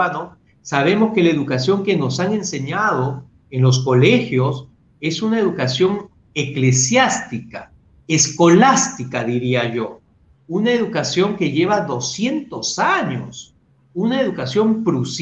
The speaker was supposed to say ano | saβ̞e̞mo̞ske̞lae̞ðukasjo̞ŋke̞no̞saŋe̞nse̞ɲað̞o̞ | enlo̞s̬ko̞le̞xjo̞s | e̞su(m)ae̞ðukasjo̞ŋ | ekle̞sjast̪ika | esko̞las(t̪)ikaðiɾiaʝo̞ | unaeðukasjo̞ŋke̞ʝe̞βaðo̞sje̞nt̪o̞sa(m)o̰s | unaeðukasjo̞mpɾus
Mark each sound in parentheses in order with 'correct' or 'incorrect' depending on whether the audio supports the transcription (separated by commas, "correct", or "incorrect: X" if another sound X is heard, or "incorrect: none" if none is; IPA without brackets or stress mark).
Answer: incorrect: n, correct, incorrect: ɲ